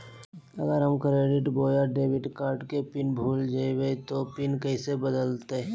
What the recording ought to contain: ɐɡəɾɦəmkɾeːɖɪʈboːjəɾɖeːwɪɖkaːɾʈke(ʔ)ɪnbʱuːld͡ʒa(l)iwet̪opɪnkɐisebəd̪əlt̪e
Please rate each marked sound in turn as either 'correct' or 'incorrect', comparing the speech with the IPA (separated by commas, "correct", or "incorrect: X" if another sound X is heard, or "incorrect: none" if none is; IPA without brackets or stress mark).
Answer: incorrect: p, incorrect: none